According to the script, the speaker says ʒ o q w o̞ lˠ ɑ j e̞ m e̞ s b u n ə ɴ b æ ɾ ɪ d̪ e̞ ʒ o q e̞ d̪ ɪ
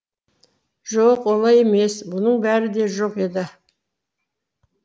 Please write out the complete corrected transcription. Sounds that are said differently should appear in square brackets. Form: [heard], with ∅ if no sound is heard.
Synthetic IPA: ʒ o q w o̞ lˠ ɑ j e̞ m e̞ s b [ʊ] n ə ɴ b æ ɾ ɪ d̪ e̞ ʒ o q e̞ d̪ ɪ